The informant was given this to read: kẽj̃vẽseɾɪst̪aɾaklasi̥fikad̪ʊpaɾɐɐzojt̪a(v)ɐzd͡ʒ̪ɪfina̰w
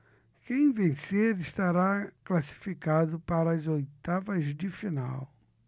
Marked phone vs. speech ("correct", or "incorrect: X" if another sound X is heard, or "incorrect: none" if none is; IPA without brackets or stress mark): correct